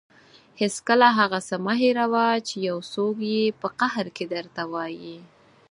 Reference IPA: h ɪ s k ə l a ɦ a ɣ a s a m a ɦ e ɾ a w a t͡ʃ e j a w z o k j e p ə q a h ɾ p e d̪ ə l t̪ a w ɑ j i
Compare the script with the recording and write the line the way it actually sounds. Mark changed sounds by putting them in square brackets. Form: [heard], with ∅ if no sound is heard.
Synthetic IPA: h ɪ s k ə l a ɦ a ɣ a s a m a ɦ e ɾ a w a t͡ʃ e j a w [s] o k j e p ə q a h ɾ [k] e d̪ ə [ɾ] t̪ a w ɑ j i